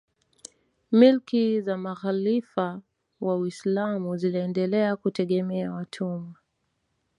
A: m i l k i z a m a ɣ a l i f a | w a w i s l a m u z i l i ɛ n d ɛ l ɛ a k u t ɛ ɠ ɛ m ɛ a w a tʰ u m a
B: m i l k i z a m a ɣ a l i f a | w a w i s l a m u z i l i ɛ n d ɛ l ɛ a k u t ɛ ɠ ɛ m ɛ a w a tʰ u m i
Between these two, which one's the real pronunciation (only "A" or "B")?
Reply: A